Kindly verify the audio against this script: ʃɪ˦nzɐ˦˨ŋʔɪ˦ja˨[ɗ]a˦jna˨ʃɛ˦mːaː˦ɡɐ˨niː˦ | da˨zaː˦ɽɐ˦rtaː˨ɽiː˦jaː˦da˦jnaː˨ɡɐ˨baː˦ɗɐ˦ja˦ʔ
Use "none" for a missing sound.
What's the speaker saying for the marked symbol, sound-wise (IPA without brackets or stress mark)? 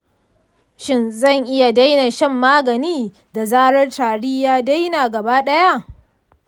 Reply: d